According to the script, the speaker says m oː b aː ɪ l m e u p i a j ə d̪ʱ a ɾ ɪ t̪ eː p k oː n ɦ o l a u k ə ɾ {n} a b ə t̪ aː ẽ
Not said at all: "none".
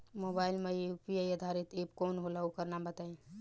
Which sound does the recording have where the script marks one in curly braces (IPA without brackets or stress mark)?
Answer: n